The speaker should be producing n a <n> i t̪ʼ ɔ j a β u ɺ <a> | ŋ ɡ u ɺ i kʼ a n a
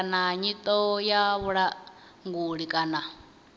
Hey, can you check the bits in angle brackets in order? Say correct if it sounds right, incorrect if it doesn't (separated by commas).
incorrect, correct